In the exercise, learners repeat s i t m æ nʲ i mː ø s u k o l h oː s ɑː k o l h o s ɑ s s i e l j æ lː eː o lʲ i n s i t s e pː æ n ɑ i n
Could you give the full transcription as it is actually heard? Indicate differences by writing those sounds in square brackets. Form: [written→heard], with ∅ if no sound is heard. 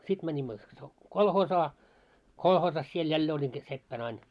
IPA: s i t m æ nʲ i mː ø s [u→o] k o l h oː s ɑː k o l h [o→oː] s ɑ s s i e l j æ lː eː o lʲ i n s i t s e pː æ n ɑ i n